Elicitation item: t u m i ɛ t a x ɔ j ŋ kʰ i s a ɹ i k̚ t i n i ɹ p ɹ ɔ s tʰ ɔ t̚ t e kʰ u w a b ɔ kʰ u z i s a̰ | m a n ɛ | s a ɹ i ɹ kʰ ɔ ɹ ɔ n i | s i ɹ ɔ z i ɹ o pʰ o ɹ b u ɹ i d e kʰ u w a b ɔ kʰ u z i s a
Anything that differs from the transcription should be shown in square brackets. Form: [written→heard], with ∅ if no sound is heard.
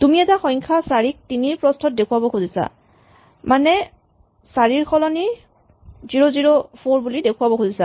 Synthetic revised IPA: t u m i ɛ t a x ɔ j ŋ kʰ [i→a] s a ɹ i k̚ t i n i ɹ p ɹ ɔ s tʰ ɔ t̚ [t→d] e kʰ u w a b ɔ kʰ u z i s a̰ | m a n ɛ | s a ɹ i ɹ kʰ ɔ [ɹ→l] ɔ n i | [s→z] i ɹ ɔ z i ɹ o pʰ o ɹ b u [ɹ→l] i d e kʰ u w a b ɔ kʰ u z i s a